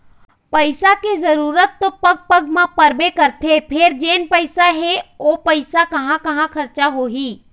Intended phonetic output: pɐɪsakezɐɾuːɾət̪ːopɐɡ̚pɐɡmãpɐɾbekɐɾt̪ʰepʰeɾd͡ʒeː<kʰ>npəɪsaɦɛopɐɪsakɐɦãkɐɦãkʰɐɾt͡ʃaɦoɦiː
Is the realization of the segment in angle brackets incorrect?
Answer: yes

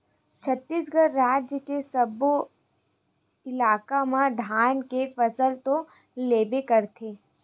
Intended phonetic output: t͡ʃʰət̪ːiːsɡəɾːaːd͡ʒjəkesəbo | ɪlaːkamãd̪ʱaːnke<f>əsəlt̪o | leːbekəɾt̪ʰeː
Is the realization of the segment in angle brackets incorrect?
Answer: no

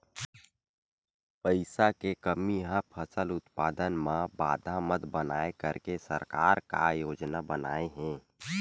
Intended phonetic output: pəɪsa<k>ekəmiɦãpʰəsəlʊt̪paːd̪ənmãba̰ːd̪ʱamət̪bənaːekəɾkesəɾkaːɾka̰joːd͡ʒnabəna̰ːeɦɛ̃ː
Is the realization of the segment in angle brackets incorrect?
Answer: no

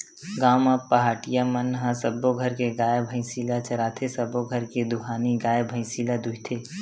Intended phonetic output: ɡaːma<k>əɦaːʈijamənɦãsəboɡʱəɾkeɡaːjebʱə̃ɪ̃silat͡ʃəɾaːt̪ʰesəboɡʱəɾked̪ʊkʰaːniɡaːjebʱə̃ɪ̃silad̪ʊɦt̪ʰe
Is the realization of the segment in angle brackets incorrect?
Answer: yes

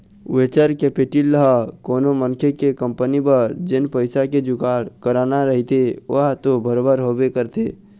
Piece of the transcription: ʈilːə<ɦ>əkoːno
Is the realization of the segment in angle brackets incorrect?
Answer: no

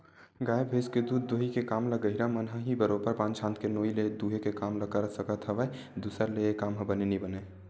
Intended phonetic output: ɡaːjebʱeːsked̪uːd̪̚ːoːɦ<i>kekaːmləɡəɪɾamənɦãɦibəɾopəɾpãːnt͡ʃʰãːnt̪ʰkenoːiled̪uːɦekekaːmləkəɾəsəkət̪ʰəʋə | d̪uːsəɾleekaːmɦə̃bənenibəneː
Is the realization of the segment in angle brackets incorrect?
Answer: no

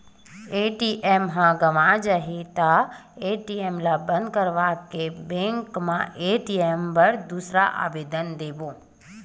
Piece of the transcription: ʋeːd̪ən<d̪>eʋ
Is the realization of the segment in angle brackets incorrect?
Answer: no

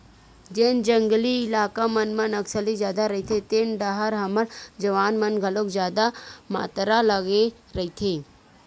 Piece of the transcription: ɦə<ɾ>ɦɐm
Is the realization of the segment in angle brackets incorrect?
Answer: no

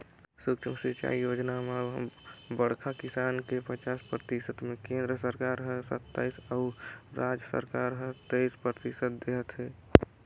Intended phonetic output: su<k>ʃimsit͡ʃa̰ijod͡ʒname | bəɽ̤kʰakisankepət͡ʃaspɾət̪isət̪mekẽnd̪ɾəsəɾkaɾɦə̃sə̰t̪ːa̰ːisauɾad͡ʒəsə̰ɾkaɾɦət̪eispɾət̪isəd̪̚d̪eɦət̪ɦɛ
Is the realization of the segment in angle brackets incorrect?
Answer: no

